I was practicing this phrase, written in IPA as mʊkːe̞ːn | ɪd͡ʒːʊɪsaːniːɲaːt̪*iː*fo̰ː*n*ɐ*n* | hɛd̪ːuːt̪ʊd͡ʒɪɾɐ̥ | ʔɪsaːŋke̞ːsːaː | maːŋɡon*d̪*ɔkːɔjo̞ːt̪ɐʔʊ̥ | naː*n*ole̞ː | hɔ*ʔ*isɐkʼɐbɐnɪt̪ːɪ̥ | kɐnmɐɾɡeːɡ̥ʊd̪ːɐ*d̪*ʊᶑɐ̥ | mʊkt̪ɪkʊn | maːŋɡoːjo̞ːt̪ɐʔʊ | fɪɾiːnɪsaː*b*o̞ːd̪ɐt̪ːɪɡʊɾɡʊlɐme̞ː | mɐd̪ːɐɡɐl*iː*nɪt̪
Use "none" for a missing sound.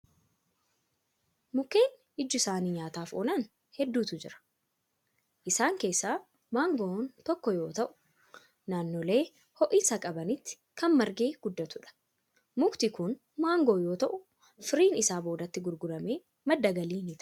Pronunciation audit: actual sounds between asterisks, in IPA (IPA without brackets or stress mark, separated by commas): aː, n, n, t̪, nː, ʔ, t̪, b, iː